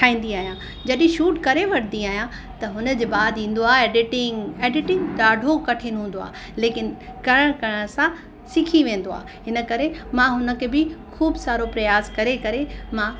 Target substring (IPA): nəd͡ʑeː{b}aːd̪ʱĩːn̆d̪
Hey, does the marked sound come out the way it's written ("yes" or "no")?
yes